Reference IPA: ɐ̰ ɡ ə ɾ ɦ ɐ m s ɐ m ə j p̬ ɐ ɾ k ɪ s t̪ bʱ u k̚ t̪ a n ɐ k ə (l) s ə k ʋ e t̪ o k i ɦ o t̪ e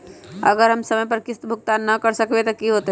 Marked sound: incorrect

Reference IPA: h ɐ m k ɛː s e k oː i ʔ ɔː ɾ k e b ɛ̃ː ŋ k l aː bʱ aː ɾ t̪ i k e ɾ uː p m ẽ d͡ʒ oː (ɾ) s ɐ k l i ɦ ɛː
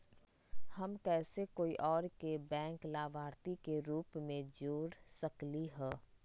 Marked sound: correct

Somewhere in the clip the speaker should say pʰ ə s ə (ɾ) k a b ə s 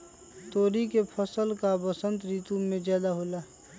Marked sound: incorrect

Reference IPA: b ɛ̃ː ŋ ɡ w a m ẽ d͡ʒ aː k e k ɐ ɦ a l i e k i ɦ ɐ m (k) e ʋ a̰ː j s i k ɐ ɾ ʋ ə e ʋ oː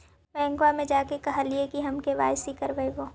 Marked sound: correct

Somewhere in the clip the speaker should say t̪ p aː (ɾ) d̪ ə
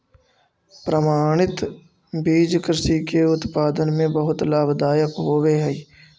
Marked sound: incorrect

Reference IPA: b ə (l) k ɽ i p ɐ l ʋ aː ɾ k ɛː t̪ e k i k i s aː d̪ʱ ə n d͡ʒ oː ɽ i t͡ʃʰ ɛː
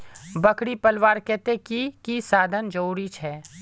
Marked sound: incorrect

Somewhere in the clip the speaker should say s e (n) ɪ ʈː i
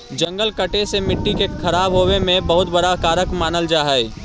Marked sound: incorrect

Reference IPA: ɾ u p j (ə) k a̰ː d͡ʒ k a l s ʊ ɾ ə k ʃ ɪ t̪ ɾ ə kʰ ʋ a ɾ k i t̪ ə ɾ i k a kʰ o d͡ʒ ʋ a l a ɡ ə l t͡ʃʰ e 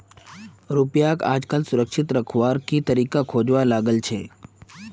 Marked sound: incorrect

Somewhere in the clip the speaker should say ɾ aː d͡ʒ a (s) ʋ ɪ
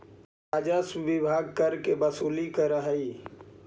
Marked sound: correct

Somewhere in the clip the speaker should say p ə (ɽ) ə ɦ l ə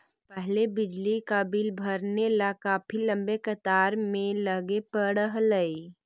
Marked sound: correct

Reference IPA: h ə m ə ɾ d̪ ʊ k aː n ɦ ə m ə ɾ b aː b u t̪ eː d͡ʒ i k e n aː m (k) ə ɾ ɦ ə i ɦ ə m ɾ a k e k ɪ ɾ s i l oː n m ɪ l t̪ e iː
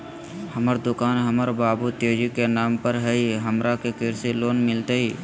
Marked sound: incorrect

